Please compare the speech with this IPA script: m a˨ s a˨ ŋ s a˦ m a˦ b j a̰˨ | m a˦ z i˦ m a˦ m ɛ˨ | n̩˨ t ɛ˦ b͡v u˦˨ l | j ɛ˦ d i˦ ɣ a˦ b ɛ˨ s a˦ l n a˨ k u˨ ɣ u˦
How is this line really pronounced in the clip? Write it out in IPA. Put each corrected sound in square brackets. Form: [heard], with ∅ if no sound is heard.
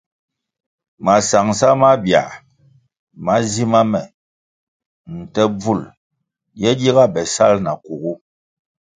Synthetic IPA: m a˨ s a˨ ŋ s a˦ m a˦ b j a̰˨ | m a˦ z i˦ m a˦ m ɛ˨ | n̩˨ t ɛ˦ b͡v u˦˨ l | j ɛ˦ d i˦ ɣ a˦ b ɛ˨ s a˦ l n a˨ k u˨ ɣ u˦